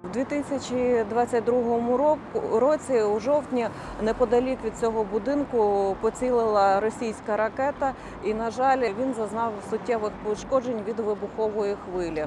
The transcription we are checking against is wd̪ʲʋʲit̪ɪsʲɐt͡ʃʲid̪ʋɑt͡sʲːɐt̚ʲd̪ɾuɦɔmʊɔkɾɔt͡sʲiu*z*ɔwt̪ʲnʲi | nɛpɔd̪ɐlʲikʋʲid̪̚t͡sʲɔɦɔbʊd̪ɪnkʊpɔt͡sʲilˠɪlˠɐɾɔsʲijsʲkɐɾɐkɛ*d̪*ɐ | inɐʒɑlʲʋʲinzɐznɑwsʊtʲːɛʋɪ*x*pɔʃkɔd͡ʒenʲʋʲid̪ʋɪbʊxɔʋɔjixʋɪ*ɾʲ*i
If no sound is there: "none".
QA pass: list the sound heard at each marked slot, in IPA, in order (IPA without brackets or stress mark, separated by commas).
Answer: ʒ, t̪, x, lʲ